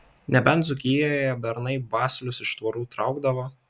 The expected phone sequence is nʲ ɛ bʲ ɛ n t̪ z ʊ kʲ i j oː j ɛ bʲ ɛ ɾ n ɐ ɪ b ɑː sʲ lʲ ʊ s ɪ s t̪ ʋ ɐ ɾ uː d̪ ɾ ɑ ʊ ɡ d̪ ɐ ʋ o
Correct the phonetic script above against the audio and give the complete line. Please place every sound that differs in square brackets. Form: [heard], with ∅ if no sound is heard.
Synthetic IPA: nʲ ɛ bʲ ɛ n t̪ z ʊ kʲ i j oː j ɛ bʲ ɛ ɾ n ɐ ɪ b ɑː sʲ lʲ ʊ s ɪ [ʃ] t̪ ʋ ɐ ɾ uː [t̪] ɾ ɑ ʊ ɡ d̪ ɐ ʋ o